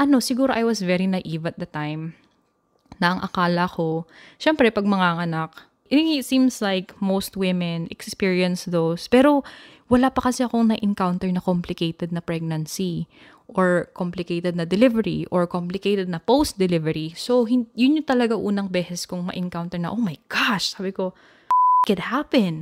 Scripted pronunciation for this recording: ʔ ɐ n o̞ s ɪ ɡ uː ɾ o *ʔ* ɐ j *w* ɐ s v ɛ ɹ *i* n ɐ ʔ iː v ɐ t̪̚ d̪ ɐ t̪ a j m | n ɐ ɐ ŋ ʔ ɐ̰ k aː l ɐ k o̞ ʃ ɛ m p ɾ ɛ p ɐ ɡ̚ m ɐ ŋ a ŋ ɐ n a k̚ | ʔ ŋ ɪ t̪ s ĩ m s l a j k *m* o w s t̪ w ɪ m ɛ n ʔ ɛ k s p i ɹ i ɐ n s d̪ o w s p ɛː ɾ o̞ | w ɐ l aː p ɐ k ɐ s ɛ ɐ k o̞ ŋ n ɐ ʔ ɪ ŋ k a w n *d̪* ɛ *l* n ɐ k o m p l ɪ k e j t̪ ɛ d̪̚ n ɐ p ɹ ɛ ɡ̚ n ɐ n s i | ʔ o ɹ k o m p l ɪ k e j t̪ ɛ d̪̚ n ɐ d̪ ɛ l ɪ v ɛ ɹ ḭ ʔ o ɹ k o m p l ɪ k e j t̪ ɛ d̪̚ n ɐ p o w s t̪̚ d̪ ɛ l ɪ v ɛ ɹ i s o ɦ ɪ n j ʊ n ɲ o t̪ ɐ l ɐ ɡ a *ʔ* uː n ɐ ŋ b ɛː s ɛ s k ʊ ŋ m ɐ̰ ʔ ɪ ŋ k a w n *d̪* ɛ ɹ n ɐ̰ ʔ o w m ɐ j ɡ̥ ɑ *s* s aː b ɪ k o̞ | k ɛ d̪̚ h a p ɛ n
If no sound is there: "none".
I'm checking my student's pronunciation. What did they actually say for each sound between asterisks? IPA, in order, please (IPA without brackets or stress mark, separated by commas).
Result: ʔ, w, i, m, t̪, ɹ, ʔ, t̪, ʃ